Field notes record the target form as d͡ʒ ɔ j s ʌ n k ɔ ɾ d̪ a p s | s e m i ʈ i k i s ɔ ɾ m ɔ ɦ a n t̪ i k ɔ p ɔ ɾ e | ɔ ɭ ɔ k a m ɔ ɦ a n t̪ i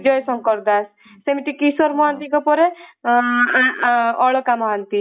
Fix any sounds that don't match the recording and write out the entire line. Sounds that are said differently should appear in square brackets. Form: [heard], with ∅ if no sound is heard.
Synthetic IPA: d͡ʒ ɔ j s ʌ [ŋ] k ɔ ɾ d̪ a [∅] s | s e m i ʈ i k i s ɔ ɾ m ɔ ɦ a n t̪ i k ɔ p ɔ ɾ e | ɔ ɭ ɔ k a m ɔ ɦ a n t̪ i